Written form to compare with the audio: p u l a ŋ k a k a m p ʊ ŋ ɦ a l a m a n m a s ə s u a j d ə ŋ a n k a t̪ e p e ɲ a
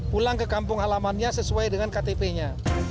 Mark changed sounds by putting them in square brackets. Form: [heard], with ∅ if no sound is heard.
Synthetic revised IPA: p u l a ŋ k [ə] k a m p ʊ ŋ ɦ a l a m a n [ɲ] a s ə s u a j d ə ŋ a n k a t̪ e p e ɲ a